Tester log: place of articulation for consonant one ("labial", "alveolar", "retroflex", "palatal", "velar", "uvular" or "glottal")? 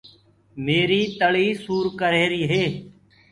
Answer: labial